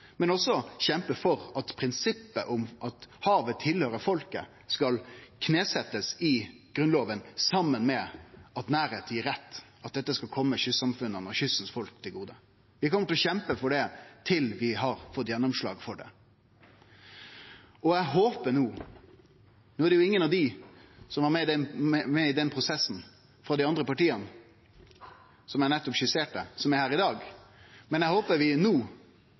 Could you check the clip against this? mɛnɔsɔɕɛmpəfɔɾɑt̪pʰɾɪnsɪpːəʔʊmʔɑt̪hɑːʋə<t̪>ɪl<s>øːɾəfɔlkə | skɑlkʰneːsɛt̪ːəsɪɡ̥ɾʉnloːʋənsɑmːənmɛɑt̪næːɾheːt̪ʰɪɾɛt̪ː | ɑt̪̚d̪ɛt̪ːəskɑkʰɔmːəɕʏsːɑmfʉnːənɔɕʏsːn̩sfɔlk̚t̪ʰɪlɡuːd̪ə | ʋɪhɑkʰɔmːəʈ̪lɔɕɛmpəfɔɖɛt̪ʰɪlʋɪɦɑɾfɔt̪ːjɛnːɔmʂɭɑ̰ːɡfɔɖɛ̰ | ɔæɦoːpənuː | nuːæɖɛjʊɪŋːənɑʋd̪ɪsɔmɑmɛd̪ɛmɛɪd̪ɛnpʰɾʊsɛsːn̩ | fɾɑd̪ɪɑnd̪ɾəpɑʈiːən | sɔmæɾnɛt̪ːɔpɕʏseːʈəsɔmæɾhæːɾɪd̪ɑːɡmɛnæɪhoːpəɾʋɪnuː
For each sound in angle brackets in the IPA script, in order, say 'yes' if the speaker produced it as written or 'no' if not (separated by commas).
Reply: no, no